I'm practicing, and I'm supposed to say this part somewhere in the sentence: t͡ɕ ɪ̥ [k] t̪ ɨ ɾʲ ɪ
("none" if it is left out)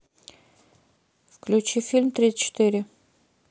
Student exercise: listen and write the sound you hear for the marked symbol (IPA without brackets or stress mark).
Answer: none